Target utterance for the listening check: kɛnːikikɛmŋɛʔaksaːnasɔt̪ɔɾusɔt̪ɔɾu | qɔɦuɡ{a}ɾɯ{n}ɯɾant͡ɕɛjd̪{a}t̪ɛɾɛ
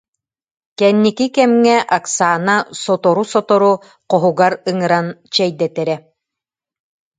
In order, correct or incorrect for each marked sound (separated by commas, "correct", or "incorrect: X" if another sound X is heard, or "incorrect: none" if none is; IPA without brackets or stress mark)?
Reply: correct, incorrect: ŋ, incorrect: ɛ